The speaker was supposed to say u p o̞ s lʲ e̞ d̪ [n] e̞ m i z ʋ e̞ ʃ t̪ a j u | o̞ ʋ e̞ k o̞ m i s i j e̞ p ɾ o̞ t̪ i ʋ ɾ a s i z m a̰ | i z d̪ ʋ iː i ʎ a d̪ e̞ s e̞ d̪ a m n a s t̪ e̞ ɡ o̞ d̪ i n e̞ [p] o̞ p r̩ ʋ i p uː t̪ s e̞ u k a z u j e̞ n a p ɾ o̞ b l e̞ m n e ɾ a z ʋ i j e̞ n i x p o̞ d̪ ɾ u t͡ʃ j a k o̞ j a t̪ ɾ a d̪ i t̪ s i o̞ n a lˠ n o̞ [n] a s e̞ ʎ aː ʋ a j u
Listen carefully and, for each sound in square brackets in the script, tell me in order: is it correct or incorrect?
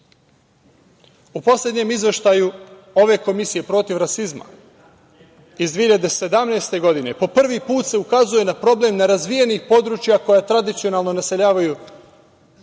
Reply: incorrect: ɲ, correct, correct

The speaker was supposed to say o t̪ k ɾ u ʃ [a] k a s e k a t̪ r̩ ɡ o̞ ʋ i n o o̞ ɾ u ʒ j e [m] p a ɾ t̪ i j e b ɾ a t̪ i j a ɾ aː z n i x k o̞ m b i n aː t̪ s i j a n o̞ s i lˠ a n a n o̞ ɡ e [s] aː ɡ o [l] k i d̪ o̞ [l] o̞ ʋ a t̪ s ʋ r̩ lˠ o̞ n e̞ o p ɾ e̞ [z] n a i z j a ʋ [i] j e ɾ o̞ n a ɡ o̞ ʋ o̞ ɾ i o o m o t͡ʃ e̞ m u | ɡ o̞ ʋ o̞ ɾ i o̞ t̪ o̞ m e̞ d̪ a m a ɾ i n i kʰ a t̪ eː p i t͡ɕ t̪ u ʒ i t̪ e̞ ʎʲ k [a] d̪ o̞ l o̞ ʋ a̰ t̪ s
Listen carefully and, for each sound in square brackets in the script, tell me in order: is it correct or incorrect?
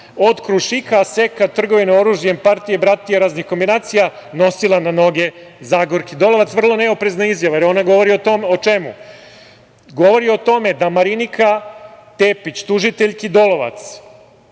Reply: incorrect: i, correct, incorrect: z, incorrect: ɾ, correct, correct, incorrect: a, incorrect: i

